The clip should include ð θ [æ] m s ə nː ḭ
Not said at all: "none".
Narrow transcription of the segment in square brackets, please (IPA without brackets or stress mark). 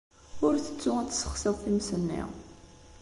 i